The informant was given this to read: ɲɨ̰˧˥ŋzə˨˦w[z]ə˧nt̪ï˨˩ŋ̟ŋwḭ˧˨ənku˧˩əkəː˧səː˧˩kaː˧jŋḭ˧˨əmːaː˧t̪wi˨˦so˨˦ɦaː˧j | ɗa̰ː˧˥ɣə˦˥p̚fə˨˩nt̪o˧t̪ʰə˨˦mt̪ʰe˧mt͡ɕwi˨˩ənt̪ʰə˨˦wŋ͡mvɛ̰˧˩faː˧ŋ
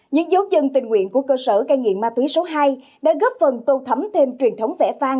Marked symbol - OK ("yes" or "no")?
yes